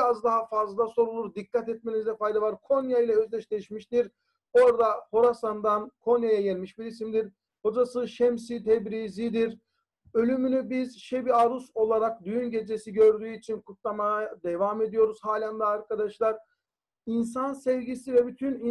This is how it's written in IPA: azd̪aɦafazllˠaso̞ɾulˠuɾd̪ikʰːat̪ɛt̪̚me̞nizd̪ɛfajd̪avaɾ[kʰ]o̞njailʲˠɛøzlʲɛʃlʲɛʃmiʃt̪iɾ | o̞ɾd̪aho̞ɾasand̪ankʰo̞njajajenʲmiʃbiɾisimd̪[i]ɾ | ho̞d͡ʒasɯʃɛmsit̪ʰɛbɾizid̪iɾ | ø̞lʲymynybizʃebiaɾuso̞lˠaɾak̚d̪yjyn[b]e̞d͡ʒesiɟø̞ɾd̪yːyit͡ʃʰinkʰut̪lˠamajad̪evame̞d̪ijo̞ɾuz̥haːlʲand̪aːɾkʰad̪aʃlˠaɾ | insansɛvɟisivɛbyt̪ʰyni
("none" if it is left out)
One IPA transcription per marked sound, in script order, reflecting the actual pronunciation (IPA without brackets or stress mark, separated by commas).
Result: kʰ, i, ɟ